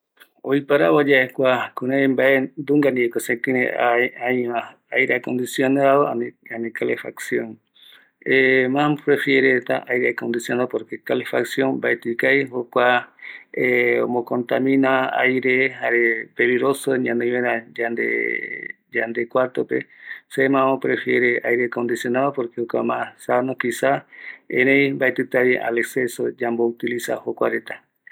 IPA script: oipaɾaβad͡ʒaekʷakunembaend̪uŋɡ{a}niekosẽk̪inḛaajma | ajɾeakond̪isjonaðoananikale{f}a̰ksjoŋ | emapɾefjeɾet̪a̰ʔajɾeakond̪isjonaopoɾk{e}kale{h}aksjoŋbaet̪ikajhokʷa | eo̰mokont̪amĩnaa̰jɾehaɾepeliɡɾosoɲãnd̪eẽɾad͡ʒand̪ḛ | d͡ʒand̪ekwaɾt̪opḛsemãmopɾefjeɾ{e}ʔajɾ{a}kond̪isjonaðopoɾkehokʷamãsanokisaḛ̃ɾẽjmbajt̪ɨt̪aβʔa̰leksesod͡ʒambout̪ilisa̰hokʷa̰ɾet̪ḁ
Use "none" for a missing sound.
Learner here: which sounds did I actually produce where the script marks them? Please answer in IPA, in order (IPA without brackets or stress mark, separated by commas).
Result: a, f, e, f, e, e